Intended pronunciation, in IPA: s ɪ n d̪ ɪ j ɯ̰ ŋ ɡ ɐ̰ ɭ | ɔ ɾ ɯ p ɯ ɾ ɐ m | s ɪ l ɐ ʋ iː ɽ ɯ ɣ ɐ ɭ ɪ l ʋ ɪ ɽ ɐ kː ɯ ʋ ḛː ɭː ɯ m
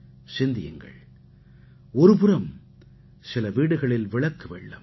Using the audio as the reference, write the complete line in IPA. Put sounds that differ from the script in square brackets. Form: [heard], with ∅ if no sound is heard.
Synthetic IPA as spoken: s ɪ n d̪ ɪ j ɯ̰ ŋ ɡ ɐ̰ ɭ | ɔ ɾ ɯ p ɯ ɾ ɐ m | s ɪ l ɐ ʋ iː ɽ ɯ ɣ ɐ ɭ ɪ l ʋ ɪ [ɭ] ɐ kː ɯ ʋ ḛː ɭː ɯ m

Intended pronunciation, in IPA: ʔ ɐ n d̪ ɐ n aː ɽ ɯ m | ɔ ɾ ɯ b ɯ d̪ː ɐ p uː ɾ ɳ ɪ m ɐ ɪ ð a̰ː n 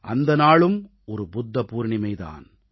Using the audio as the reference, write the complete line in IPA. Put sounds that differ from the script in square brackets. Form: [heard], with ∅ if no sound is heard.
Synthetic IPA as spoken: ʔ ɐ n d̪ ɐ n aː [ɭ] ɯ m | ɔ ɾ ɯ b [ʊ] d̪ː ɐ p uː ɾ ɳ ɪ m ɐ ɪ ð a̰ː n

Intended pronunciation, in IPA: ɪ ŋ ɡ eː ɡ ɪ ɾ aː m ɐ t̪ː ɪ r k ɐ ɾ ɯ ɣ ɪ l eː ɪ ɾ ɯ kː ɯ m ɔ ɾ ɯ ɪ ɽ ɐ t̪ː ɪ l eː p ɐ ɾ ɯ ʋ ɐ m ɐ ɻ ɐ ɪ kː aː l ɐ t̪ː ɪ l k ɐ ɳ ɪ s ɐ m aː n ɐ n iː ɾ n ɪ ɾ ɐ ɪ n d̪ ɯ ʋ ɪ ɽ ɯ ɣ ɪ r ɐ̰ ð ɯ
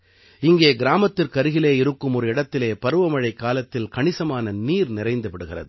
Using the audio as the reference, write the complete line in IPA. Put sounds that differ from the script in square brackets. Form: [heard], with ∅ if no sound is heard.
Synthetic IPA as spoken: ɪ ŋ ɡ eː ɡ ɪ ɾ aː m ɐ t̪ː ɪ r k ɐ ɾ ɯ ɣ ɪ l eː ɪ ɾ ɯ kː ɯ m ɔ ɾ ɯ ɪ ɽ ɐ t̪ː ɪ l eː p ɐ ɾ ɯ ʋ ɐ m ɐ ɻ ɐ ɪ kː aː l ɐ t̪ː ɪ l k ɐ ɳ ɪ s ɐ m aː n ɐ n iː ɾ n ɪ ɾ ɐ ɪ n d̪ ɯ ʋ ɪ ɽ ɯ ɣ ɪ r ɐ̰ ð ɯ

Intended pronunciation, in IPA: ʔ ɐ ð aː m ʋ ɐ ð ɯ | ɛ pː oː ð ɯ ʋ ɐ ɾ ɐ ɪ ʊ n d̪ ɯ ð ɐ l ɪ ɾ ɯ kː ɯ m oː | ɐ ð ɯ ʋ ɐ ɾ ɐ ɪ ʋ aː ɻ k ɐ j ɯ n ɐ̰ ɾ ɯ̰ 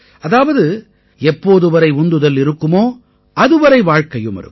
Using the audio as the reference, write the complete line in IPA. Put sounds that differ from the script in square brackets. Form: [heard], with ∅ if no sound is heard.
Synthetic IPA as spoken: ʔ ɐ ð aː [∅] ʋ ɐ ð ɯ | ɛ pː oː ð ɯ ʋ ɐ ɾ ɐ ɪ ʊ n d̪ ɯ ð ɐ l ɪ ɾ ɯ kː ɯ m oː | ɐ ð ɯ ʋ ɐ ɾ ɐ ɪ ʋ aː ɻ k ɐ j ɯ [m] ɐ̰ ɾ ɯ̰

